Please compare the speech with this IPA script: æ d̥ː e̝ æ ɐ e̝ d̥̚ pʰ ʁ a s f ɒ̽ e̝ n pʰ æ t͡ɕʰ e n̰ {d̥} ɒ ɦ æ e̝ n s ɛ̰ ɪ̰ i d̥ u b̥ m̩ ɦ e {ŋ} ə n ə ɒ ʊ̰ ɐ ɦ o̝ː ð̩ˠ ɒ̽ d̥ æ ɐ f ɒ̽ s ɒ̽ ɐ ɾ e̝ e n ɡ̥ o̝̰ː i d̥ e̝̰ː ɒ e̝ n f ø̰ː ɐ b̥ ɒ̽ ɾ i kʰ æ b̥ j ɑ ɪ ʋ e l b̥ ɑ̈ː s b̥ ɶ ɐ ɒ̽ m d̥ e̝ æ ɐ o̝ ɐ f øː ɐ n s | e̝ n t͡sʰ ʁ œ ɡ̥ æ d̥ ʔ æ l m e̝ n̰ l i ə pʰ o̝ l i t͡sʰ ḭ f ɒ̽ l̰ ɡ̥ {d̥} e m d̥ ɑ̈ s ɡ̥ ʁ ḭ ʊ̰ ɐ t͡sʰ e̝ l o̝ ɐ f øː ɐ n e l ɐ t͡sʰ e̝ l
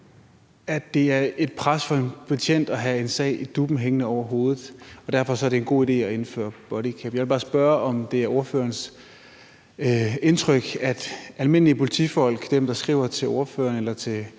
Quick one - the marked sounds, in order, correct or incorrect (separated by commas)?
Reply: correct, correct, correct